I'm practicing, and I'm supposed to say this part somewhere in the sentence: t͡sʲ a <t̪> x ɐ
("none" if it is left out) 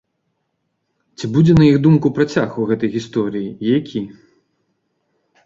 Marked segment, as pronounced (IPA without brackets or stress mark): none